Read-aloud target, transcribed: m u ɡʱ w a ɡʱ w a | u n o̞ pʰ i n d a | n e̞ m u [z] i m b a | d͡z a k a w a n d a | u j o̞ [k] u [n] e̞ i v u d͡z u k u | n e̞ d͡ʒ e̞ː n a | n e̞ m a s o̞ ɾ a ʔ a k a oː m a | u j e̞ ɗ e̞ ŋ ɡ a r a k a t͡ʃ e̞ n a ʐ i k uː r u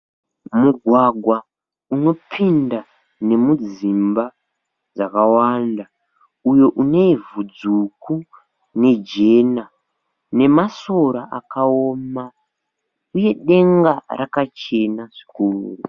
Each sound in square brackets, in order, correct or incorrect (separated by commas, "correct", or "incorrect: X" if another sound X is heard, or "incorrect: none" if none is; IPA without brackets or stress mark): incorrect: d͡z, incorrect: ʔ, correct